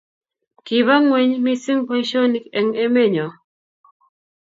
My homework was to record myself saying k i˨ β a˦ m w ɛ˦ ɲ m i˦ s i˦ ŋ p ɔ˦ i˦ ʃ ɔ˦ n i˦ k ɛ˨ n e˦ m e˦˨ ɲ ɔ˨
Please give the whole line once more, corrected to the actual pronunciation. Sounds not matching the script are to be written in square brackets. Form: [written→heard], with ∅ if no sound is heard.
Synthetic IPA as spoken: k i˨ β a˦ [m→ŋ] w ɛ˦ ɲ m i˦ s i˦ ŋ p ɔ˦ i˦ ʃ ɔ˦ n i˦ k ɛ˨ [n→ŋ] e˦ m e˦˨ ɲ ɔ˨